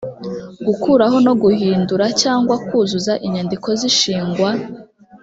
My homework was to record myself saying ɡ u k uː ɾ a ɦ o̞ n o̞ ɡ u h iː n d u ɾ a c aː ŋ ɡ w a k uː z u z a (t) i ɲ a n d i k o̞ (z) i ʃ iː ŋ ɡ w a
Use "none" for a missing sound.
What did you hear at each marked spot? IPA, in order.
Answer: ʔ, z

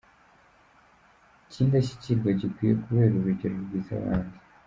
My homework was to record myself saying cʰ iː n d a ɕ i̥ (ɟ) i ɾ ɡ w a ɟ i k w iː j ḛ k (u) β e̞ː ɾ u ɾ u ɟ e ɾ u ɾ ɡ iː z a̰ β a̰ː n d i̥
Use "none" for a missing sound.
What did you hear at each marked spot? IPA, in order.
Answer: c, u

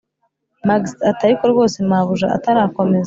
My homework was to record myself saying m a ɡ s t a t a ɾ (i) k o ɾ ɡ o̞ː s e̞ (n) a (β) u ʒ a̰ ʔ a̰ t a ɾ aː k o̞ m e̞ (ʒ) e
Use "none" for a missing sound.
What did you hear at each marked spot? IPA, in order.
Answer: i, m, β, z

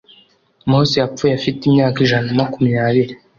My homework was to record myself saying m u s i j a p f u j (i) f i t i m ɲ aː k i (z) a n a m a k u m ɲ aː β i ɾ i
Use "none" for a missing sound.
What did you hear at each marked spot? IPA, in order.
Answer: a, ʒ

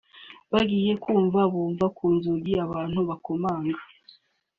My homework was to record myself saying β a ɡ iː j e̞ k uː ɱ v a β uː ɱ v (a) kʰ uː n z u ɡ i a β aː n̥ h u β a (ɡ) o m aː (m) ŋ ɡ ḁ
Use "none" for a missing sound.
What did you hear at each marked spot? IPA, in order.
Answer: a, k, none

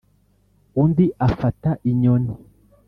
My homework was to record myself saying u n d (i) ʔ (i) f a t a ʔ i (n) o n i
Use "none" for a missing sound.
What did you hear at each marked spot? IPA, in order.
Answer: i, a, ɲ

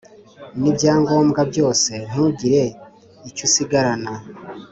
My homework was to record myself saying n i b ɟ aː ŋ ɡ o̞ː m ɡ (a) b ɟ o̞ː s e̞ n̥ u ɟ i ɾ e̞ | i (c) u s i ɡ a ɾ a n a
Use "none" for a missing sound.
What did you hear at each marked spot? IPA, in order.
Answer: a, c

